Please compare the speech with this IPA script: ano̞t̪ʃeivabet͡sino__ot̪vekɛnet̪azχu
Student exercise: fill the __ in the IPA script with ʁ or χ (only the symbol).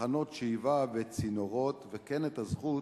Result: ʁ